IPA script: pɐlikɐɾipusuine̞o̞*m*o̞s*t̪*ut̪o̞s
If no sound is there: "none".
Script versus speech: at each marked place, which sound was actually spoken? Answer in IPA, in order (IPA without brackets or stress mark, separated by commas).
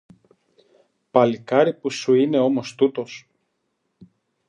m, t̪